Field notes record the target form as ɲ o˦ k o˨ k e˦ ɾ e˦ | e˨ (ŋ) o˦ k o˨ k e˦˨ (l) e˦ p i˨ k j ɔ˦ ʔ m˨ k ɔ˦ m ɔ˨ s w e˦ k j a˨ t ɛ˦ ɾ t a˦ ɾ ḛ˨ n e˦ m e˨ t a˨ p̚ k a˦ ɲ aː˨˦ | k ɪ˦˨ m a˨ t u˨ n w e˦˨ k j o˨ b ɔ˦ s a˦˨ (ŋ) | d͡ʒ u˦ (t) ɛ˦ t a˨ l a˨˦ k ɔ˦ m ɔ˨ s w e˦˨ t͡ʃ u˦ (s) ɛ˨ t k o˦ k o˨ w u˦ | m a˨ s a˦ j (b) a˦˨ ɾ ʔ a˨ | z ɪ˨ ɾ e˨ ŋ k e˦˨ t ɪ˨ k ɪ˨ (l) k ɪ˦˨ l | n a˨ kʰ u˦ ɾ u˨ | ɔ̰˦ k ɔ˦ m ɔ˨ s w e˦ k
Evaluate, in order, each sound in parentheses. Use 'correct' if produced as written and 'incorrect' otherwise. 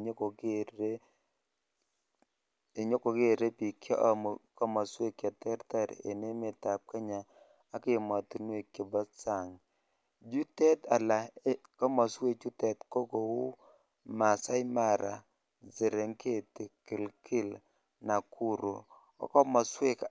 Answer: incorrect, incorrect, correct, correct, incorrect, incorrect, correct

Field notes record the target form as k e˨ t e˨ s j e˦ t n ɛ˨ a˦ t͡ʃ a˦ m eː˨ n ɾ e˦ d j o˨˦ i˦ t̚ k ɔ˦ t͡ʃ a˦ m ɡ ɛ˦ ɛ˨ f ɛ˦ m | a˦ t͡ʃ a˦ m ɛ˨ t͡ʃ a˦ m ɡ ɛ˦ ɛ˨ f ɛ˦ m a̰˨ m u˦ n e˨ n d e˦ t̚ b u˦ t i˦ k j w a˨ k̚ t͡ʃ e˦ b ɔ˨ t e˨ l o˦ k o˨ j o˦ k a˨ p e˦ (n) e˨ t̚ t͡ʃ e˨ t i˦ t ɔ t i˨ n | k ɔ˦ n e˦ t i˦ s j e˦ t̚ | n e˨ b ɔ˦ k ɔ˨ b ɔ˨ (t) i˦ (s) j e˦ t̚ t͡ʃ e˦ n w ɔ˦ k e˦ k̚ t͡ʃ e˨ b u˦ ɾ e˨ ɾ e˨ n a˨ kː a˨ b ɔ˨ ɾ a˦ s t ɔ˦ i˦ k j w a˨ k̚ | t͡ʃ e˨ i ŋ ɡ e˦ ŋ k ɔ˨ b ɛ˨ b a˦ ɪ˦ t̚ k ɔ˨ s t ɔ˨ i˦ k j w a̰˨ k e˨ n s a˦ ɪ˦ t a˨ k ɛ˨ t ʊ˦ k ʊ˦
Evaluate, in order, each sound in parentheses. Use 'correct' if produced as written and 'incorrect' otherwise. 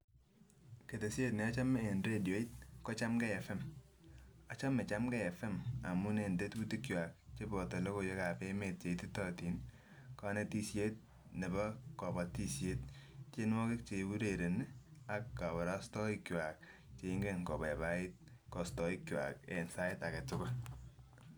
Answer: incorrect, correct, correct

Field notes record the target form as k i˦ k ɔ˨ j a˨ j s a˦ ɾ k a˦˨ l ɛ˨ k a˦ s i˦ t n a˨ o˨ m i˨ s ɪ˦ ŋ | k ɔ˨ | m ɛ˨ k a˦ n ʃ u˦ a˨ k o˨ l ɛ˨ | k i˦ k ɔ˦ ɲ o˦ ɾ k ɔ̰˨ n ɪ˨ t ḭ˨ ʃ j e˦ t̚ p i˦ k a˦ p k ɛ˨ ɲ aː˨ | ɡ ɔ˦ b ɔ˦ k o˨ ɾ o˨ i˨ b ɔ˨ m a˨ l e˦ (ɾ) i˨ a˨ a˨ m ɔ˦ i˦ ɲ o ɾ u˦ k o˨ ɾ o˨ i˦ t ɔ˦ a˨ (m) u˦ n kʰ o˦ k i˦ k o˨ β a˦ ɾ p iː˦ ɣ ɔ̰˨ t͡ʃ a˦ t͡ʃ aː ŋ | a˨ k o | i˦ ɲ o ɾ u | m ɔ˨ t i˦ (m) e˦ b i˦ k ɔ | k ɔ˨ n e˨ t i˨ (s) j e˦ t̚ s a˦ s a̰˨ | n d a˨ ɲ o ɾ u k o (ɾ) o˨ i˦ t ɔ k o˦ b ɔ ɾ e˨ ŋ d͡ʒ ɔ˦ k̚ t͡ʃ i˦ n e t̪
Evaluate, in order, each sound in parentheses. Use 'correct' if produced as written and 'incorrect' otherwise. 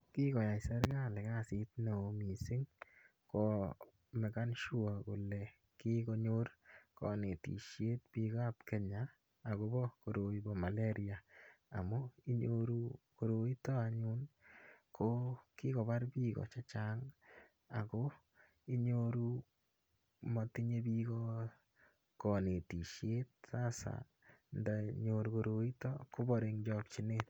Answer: correct, incorrect, incorrect, incorrect, correct

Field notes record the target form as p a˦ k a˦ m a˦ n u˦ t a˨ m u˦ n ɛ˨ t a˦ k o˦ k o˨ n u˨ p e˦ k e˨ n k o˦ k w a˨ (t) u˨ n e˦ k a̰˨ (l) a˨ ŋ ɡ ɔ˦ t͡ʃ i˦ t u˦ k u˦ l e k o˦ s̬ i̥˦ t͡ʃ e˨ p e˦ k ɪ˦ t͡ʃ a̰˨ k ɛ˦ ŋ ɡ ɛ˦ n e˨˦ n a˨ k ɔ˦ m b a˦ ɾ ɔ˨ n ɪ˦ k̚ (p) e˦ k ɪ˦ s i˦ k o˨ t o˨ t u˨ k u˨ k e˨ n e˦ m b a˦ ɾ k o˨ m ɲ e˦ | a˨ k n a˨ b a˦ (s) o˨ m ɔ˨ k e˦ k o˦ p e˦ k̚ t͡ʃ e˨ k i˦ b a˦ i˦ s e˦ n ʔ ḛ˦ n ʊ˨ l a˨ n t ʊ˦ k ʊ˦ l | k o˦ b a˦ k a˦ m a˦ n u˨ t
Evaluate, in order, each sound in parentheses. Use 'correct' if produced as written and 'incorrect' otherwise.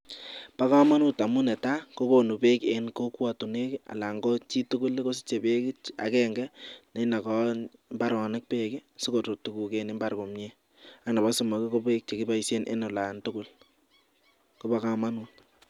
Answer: correct, correct, correct, correct

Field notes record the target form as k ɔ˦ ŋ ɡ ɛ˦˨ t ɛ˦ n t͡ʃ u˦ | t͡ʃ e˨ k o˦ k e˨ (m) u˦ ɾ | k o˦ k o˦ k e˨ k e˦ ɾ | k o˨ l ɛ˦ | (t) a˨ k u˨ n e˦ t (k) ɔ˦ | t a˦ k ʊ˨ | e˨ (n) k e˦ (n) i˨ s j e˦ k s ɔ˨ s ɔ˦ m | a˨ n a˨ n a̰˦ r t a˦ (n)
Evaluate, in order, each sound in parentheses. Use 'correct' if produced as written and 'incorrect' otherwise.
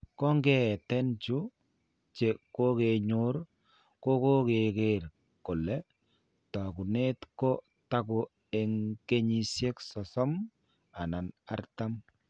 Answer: incorrect, correct, correct, incorrect, incorrect, incorrect

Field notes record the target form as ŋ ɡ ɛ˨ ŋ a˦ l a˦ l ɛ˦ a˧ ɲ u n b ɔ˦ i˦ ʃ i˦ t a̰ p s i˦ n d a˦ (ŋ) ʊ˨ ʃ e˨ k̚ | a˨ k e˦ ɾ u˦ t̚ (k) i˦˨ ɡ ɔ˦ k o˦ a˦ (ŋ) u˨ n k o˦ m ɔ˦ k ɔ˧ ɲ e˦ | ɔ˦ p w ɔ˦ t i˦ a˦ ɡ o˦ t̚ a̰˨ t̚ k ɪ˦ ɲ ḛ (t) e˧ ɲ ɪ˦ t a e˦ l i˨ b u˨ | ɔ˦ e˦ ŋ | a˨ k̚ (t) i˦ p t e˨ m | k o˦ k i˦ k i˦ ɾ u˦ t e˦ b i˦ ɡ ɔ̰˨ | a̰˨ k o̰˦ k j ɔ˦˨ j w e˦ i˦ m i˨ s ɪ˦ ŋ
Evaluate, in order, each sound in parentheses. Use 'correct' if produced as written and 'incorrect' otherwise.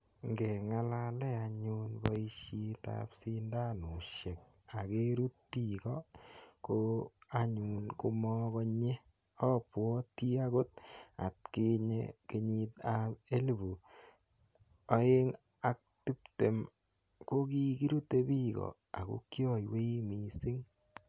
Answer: incorrect, incorrect, incorrect, incorrect, correct

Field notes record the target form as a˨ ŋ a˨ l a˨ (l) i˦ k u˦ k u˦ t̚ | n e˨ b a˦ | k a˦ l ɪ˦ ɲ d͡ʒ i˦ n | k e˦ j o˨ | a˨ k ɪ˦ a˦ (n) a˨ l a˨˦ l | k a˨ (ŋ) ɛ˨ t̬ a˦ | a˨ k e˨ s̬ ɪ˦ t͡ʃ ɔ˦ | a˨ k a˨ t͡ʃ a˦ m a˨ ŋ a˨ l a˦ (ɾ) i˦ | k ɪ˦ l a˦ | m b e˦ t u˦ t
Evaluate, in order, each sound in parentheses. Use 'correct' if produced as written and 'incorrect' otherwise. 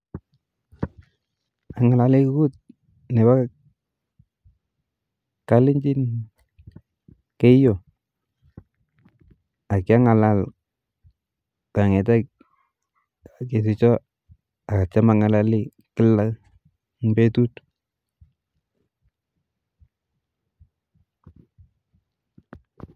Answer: correct, incorrect, correct, incorrect

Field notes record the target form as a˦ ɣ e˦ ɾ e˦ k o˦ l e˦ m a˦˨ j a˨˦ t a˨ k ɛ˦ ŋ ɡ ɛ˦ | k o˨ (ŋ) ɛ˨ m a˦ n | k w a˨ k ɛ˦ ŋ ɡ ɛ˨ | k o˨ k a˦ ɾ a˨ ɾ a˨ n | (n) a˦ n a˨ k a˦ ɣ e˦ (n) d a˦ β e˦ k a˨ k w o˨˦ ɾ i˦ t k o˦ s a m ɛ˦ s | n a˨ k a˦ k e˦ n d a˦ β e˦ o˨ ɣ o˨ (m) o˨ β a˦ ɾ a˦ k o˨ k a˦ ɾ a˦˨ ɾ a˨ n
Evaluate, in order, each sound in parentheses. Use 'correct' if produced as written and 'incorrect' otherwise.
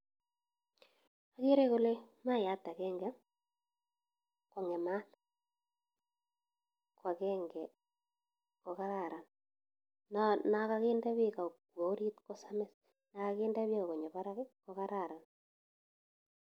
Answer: correct, correct, correct, incorrect

